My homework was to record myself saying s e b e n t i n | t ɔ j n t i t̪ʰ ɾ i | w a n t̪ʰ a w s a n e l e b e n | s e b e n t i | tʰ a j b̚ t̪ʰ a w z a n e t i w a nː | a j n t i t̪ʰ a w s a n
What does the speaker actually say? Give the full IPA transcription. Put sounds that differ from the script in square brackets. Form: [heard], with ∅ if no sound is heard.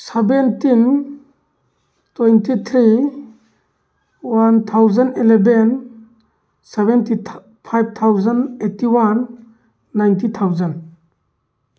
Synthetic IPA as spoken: s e b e n t i n | t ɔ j n t i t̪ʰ ɾ i | w a n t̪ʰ a w [z] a n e l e b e n | s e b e n t i | [pʰ] a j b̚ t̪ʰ a w z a n e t i w a nː | a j n t i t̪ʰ a w [z] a n

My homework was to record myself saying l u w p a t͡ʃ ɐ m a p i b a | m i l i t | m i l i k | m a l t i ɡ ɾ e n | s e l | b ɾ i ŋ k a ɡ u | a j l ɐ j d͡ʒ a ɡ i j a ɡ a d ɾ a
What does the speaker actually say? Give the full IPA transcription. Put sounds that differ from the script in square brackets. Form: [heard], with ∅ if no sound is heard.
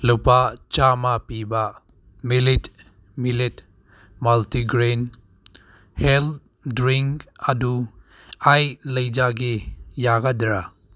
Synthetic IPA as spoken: l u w p a t͡ʃ [a] m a p i b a | m i l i t | m i l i [t] | m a l t i ɡ ɾ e n | [h] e l | [d] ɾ i ŋ k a [d] u | a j l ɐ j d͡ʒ a ɡ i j a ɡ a d ɾ a

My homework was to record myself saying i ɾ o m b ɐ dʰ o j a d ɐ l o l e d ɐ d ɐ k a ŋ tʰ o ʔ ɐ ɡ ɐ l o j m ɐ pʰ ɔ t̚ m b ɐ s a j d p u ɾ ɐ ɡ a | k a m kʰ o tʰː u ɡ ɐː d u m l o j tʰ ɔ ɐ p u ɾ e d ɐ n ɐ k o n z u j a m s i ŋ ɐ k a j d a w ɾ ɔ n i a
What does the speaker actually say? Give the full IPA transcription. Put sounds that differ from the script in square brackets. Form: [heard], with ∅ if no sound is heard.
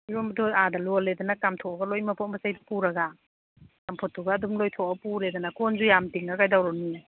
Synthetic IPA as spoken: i ɾ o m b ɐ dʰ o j a d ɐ l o l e d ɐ [n] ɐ k a [m] tʰ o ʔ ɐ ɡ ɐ l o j m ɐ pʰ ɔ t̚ m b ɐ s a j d p u ɾ ɐ ɡ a | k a m [pʰ] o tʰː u ɡ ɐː d u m l o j tʰ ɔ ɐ p u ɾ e d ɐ n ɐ k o n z u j a m [t] i ŋ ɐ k a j d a w ɾ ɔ n i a

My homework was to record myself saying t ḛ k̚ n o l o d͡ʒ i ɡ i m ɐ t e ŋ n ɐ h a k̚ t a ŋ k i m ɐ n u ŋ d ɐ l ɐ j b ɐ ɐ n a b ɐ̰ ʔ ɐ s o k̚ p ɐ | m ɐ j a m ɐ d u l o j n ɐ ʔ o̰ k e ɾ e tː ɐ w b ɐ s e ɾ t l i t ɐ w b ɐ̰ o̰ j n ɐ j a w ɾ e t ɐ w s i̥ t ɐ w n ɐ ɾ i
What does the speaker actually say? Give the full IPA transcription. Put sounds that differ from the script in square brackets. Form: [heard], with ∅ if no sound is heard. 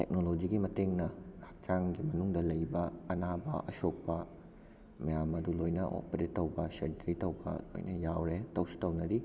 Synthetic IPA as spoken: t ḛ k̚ n o l o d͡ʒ i ɡ i m ɐ t e ŋ n ɐ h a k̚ [t͡ʃ] a ŋ [ɡ] i m ɐ n u ŋ d ɐ l ɐ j b ɐ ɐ n a b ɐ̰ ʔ ɐ s o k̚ p ɐ | m ɐ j a m ɐ d u l o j n ɐ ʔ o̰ [p] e ɾ e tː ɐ w b ɐ s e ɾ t [ɾ] i t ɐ w b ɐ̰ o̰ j n ɐ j a w ɾ e t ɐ w s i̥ t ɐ w n ɐ ɾ i

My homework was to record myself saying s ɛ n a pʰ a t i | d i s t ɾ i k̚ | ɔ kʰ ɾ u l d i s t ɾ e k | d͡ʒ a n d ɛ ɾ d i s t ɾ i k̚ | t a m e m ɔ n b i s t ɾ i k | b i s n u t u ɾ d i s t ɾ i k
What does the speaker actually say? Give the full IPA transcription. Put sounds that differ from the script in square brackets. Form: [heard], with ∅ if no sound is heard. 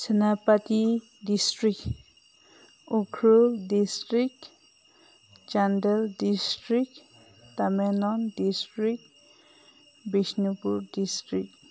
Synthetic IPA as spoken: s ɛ n a [p] a t i | d i s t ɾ i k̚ | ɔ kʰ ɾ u l d i s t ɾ [i] k | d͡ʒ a n d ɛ [l] d i s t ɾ i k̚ | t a m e [n] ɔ n [d] i s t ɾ i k | b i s n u [p] u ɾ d i s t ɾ i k

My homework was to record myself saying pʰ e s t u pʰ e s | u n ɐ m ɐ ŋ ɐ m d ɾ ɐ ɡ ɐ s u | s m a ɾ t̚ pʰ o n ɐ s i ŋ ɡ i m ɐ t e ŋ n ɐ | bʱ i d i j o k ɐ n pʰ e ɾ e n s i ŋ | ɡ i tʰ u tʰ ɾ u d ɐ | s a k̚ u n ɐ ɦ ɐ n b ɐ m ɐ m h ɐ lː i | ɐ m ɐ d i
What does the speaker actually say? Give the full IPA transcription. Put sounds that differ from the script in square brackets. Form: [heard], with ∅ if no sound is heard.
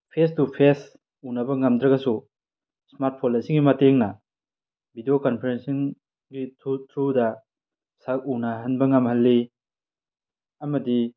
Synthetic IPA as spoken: pʰ e s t u pʰ e s | u n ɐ [b] ɐ ŋ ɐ m d ɾ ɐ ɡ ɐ s u | s m a ɾ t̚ pʰ o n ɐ s i ŋ ɡ i m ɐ t e ŋ n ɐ | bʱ i d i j o k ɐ n pʰ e ɾ e n s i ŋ | ɡ i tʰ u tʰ ɾ u d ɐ | s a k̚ u n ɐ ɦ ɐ n b ɐ [ŋ] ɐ m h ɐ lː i | ɐ m ɐ d i

